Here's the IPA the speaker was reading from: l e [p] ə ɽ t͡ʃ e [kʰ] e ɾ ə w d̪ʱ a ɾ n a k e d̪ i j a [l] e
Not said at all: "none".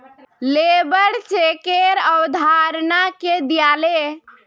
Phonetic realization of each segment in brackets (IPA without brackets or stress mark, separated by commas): b, k, l